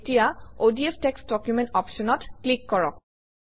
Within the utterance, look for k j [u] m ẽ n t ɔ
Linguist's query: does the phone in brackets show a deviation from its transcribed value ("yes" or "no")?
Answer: no